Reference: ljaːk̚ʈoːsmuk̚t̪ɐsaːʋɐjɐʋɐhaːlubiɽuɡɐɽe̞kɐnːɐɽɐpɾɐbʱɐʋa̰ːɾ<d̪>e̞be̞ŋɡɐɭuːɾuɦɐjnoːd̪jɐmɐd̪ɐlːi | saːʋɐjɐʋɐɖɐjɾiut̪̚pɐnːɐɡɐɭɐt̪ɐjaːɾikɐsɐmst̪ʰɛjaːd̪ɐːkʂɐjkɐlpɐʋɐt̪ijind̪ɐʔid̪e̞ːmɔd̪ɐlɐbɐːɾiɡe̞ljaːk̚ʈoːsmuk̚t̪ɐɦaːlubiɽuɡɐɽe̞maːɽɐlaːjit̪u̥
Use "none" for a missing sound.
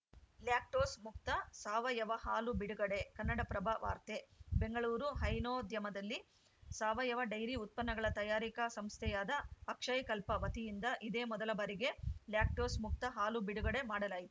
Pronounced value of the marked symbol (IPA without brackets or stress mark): t̪